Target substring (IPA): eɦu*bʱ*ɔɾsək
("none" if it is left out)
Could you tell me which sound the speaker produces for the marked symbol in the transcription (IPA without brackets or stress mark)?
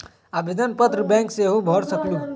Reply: bʱ